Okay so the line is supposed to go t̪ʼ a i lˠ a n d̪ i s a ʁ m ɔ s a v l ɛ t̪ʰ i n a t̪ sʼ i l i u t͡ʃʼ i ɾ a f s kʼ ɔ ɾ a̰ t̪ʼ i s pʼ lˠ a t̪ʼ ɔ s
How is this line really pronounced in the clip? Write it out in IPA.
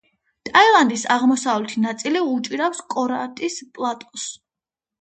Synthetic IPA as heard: t̪ʼ a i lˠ a n d̪ i s a ʁ m ɔ s a v l ɛ t̪ʰ i n a t̪ sʼ i l i u t͡ʃʼ i ɾ a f s kʼ ɔ ɾ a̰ t̪ʼ i s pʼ lˠ a t̪ʼ ɔ s